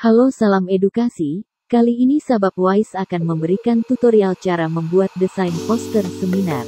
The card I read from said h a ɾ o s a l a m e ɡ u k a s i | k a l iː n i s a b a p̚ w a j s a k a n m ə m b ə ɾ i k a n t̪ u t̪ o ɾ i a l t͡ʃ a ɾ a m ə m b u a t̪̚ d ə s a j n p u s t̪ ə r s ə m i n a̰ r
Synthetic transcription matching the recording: h a l o s a l a m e d u k a s i | k a l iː n i s a b a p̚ w a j s a k a n m ə m b ə ɾ i k a n t̪ u t̪ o ɾ i a l t͡ʃ a ɾ a m ə m b u a t̪̚ d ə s a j n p ɔ s t̪ ə r s ə m i n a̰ r